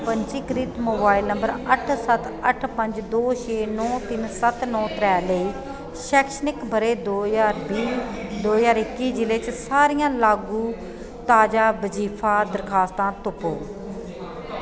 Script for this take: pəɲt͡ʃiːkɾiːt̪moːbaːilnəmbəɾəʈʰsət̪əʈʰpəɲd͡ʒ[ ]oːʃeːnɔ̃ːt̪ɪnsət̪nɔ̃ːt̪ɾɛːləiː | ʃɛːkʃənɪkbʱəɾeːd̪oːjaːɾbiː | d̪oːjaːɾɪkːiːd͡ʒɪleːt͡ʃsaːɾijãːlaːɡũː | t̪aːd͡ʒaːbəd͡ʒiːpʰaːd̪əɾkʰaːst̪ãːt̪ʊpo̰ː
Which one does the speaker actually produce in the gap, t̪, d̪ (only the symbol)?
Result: d̪